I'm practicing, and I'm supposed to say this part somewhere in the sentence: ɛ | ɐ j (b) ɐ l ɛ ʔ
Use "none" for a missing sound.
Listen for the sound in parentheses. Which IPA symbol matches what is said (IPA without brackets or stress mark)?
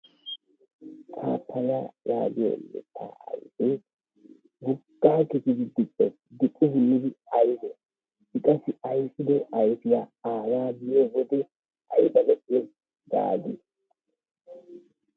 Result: b